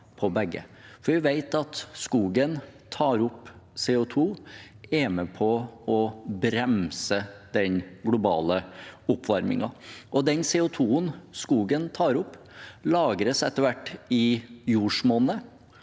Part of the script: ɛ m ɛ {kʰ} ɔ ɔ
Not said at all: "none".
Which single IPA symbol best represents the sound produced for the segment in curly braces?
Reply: pʰ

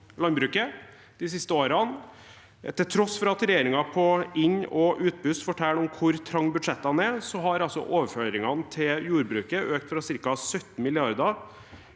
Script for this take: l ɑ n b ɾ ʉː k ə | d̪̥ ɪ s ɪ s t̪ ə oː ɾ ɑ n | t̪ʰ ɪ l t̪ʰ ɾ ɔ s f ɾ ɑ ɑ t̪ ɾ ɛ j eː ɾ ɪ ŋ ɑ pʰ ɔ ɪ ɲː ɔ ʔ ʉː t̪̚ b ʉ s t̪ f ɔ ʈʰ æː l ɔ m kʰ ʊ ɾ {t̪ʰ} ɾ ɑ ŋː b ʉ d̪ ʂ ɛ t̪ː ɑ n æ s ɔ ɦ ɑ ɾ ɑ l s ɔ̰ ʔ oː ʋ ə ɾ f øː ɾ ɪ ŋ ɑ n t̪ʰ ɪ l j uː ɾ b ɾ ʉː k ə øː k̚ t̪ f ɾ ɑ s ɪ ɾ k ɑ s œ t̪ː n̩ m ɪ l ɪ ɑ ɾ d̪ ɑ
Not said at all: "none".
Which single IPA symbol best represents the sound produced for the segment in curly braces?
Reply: t̪ʰ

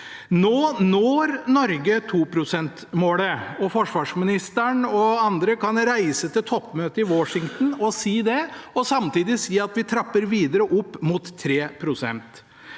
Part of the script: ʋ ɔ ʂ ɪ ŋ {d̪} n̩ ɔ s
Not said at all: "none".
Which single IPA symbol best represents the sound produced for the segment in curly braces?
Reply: t̪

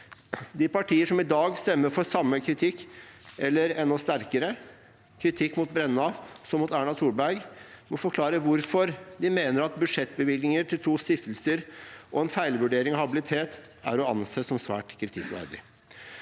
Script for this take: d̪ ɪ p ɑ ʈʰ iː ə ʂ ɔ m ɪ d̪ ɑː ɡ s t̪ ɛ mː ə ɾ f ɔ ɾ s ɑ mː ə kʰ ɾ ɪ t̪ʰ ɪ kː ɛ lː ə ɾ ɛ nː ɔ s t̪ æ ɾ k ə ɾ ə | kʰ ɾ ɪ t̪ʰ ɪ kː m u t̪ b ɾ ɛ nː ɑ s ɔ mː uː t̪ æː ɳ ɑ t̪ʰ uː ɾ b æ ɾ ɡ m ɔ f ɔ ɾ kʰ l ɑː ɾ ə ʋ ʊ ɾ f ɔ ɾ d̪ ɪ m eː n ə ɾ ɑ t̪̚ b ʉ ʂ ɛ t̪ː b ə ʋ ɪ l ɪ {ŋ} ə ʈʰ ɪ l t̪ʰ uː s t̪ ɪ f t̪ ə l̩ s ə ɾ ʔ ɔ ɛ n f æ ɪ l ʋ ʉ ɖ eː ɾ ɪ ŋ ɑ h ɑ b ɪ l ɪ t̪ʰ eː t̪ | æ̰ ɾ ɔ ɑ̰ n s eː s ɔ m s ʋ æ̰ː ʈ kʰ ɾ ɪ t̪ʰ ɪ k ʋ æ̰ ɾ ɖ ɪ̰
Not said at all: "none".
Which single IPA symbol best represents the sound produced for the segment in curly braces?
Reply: ŋ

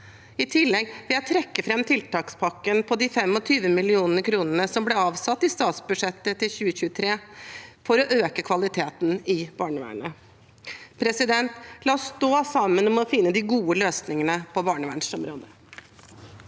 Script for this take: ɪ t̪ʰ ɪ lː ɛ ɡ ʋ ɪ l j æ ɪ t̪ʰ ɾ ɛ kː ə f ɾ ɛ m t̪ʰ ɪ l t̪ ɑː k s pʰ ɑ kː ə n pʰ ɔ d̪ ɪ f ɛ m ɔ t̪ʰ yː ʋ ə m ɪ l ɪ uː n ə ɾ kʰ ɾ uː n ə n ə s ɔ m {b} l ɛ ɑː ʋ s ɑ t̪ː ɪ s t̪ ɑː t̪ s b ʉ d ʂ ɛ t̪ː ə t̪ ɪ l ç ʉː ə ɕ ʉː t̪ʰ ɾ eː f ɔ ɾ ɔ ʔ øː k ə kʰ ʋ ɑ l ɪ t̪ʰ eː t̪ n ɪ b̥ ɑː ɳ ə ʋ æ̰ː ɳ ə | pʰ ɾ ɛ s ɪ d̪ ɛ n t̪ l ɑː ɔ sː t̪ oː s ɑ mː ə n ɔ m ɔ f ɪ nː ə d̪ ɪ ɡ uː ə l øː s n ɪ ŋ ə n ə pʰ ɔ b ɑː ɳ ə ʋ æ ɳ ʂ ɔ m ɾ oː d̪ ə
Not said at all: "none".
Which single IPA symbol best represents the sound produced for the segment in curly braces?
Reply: b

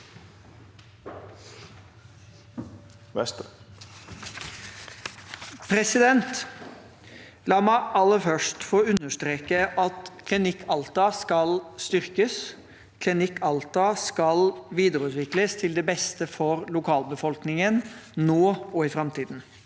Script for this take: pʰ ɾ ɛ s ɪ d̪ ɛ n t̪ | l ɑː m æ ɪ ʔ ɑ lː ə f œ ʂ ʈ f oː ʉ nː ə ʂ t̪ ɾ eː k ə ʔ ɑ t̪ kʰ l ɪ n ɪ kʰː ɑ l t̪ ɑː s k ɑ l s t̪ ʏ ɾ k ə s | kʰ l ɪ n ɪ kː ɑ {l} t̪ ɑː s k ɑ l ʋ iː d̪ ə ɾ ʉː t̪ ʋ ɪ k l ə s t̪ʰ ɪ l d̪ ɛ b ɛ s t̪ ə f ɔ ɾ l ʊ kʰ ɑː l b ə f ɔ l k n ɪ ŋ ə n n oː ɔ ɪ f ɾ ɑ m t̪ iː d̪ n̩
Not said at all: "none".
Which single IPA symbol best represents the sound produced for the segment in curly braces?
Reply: l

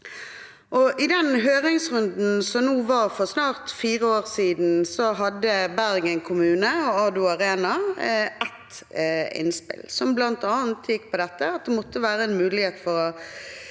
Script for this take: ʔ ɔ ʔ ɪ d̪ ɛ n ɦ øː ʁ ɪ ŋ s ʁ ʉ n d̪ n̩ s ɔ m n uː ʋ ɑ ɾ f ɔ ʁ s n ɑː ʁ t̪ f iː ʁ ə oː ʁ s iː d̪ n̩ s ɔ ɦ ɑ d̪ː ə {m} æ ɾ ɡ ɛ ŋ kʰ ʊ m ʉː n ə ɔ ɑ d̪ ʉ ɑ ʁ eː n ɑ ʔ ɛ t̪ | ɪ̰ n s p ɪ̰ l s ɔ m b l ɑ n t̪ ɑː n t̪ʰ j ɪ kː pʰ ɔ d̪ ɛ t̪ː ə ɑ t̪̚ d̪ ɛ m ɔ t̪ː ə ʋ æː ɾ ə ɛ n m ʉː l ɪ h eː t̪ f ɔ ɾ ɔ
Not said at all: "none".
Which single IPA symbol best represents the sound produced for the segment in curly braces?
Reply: b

